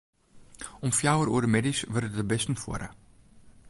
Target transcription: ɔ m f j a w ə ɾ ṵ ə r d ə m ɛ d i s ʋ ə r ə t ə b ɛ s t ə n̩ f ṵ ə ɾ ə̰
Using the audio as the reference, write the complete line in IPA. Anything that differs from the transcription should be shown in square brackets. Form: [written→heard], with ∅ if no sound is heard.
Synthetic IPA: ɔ m f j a w ə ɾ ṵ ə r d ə m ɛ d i s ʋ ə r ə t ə b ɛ s t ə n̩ f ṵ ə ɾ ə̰